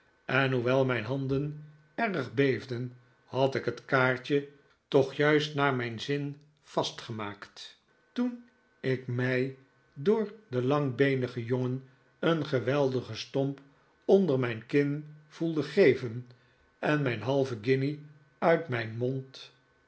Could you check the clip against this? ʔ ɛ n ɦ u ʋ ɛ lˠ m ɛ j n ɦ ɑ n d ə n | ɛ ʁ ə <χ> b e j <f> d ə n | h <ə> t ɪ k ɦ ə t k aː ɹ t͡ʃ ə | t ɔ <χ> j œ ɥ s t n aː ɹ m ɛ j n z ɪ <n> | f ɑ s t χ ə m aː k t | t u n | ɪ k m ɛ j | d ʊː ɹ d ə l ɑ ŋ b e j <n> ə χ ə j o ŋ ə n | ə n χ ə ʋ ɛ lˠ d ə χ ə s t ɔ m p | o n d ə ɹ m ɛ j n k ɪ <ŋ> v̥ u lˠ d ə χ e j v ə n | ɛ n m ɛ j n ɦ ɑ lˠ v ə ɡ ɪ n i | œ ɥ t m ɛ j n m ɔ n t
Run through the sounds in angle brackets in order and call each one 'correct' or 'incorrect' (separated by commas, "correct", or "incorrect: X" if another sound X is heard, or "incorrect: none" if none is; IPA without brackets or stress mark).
correct, incorrect: v, incorrect: ɑ, correct, correct, correct, incorrect: n